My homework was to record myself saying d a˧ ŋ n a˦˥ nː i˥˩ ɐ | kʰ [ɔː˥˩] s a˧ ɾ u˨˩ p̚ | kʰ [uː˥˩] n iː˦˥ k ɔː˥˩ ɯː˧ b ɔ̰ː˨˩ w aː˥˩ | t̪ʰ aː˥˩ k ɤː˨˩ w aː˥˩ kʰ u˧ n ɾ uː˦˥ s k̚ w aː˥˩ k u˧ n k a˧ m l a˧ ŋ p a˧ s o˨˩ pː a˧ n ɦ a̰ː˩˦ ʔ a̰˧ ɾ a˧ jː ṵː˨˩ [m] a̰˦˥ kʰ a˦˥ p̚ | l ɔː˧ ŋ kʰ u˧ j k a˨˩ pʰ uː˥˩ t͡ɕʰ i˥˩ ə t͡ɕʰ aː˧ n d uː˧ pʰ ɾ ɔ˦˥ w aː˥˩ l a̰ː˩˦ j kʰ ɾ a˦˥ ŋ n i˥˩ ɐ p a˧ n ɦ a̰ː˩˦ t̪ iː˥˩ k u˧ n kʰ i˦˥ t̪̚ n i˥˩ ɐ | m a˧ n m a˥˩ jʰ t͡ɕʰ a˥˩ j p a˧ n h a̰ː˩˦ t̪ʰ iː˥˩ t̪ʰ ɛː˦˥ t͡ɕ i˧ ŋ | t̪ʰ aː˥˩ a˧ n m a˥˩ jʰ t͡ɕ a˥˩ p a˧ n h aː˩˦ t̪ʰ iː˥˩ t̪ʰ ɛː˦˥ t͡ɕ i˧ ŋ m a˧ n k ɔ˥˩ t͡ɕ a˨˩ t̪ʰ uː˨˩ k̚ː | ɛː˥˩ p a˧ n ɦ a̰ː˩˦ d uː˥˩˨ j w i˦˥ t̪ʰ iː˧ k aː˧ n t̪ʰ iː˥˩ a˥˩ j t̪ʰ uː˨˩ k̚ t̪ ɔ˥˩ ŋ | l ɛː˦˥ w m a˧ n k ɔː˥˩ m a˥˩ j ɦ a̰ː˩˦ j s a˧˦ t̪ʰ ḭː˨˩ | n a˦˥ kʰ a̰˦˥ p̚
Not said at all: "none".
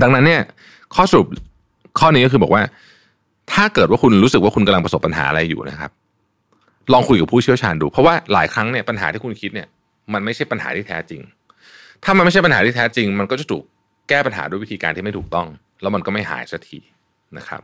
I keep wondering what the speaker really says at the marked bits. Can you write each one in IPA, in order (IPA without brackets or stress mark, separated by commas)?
ɔː˥˩, ɔː˥˩, n